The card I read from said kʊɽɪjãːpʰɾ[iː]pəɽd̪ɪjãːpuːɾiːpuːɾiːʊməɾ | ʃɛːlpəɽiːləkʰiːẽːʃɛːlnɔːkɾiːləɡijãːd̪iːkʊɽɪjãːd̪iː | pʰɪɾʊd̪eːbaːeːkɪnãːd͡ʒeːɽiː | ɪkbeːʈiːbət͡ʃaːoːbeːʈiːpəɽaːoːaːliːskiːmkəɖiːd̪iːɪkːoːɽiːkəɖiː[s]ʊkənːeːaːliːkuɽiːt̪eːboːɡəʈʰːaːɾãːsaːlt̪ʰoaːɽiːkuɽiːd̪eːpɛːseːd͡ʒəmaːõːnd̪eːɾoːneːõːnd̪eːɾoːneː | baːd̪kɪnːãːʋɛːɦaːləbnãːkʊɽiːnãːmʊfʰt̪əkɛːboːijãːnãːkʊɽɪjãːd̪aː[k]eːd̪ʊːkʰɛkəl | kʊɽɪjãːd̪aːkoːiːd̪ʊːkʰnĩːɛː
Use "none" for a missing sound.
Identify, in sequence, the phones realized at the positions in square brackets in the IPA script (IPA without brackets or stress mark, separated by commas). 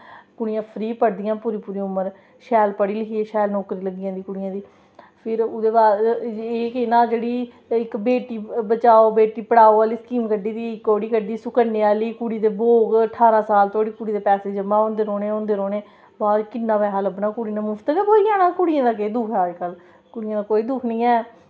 iː, s, k